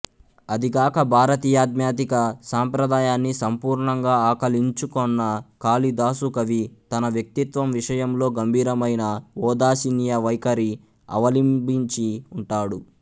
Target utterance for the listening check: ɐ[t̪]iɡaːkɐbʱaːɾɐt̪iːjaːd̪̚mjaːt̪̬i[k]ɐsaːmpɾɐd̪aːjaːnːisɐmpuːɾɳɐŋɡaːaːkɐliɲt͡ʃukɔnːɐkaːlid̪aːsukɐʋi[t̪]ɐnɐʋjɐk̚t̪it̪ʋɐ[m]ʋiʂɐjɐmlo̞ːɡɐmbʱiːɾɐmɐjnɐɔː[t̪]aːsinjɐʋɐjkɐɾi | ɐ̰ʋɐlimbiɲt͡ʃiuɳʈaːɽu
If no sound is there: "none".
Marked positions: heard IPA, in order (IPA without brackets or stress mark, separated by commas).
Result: d̪, k, t̪, m, d̪